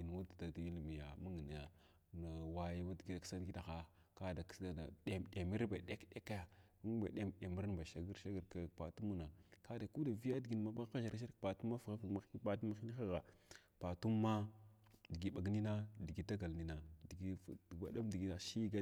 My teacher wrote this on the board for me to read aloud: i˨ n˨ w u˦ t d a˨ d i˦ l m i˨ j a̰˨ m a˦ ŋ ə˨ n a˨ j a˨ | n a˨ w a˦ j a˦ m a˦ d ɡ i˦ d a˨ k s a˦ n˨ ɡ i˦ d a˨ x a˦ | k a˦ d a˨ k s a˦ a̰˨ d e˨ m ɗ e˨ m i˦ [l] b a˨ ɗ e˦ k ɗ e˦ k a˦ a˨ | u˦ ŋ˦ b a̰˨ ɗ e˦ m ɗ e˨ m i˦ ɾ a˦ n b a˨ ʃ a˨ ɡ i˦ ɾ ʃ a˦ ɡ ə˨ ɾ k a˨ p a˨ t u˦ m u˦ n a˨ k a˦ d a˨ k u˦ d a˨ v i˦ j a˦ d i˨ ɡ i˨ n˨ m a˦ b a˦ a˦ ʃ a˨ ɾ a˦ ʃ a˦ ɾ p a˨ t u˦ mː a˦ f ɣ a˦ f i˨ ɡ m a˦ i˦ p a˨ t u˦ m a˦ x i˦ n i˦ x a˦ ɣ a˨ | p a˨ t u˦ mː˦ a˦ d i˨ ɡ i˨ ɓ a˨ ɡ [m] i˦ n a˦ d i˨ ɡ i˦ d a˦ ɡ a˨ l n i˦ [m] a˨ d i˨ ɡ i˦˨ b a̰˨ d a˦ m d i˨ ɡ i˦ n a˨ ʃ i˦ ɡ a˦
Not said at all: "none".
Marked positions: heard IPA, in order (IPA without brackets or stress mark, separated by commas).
ɾ, n, n